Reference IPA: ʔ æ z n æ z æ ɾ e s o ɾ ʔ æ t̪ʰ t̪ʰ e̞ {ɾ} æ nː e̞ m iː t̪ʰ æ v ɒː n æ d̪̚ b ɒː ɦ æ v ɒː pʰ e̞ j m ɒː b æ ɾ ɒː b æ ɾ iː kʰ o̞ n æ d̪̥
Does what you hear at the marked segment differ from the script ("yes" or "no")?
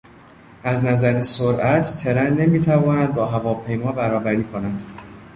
no